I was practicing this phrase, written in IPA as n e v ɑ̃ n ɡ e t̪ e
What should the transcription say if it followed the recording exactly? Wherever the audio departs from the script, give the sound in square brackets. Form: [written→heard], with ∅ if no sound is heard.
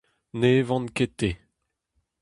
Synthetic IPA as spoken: n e v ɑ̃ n [ɡ→k] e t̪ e